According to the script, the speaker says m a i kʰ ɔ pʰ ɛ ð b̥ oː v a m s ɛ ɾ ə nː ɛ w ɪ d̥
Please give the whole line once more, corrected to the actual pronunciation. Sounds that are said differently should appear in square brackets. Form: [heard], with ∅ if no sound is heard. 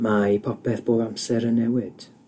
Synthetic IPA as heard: m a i [pʰ] ɔ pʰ ɛ [θ] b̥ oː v a m s ɛ ɾ ə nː ɛ w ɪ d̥